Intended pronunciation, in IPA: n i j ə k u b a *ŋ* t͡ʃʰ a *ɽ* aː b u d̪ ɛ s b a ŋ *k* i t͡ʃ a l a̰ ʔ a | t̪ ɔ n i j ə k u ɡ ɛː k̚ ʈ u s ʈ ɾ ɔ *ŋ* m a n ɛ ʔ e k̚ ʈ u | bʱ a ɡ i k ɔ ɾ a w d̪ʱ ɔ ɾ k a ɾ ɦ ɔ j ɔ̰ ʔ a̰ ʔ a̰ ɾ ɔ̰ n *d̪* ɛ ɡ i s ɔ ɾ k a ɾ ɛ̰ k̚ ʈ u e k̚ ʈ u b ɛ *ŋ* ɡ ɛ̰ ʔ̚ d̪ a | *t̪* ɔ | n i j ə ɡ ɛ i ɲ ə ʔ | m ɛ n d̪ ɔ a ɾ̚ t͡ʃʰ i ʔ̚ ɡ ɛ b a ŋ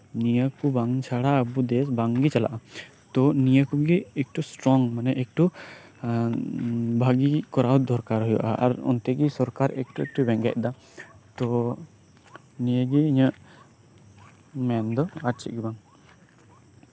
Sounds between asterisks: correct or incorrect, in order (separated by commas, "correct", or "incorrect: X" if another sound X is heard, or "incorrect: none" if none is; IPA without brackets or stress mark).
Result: correct, correct, incorrect: ɡ, correct, incorrect: t̪, correct, correct